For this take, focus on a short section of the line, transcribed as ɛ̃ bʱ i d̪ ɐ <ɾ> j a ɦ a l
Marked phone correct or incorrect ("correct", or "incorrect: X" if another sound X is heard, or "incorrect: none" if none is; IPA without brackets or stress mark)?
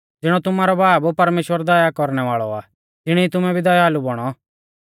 incorrect: none